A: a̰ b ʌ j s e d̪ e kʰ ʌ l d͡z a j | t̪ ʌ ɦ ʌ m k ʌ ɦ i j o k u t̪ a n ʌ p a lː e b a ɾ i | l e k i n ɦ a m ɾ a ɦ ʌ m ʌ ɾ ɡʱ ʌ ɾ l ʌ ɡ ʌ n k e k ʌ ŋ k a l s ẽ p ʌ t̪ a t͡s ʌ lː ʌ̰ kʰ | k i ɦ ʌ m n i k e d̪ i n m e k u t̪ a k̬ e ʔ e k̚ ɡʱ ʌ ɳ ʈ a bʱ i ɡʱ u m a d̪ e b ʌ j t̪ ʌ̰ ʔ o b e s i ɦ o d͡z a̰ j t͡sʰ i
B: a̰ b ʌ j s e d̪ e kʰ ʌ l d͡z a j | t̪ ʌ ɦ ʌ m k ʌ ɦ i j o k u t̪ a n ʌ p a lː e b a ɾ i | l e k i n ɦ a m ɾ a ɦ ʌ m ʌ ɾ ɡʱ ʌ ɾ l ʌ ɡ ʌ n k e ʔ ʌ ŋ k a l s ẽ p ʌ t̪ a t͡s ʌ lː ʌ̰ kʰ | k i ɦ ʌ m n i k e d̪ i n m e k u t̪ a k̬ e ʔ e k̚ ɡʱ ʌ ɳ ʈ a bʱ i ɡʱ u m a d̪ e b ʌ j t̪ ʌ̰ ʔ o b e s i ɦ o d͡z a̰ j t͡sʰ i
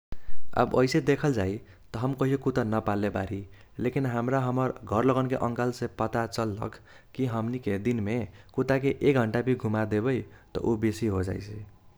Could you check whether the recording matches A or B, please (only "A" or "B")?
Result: B